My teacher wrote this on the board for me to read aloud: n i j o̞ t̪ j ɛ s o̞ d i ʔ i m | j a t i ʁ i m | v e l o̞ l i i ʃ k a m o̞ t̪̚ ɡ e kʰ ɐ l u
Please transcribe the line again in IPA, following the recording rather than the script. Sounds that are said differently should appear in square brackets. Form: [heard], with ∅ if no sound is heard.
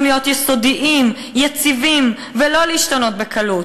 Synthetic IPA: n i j o̞ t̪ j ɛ s o̞ d i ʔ i m | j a [t͡s] i [v] i m | v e l o̞ l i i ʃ [t] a [n] o̞ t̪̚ [b] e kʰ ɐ l u